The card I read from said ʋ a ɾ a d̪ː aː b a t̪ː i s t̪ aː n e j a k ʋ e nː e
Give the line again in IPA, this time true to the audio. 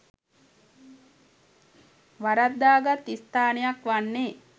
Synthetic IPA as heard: ʋ a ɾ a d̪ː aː ɡ a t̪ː i s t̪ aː n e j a k ʋ a nː e